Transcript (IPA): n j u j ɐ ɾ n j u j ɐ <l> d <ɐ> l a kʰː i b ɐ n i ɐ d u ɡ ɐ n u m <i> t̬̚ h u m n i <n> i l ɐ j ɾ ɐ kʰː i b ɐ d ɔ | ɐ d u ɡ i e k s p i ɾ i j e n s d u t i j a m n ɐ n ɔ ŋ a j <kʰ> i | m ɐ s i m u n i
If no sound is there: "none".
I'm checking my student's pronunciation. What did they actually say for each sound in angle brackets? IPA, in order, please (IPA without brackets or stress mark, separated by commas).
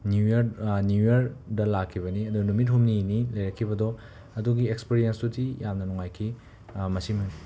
ɾ, ɐ, i, n, kʰ